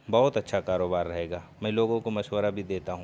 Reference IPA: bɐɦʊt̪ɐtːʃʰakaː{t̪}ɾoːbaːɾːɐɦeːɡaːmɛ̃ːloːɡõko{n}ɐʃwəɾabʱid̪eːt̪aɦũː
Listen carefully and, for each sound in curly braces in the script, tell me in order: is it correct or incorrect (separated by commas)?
incorrect, incorrect